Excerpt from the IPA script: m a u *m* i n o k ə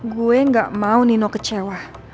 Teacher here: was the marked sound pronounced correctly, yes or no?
no